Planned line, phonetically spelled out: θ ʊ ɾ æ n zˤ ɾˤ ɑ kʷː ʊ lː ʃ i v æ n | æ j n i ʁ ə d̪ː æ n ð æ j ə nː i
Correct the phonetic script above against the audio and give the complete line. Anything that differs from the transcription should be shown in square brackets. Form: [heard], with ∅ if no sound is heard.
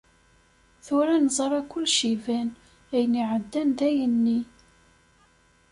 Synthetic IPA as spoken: θ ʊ ɾ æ n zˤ ɾˤ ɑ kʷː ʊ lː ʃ i v æ n | æ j n i [ʕ] ə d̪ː æ n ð æ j ə nː i